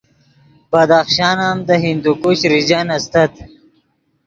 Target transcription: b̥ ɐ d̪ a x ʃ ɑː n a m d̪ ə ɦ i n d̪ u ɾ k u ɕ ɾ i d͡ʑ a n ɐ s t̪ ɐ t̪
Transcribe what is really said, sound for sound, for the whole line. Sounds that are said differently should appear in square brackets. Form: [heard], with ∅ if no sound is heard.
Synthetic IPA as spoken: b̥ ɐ d̪ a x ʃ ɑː n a m d̪ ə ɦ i n d̪ u [∅] k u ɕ ɾ i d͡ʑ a n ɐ s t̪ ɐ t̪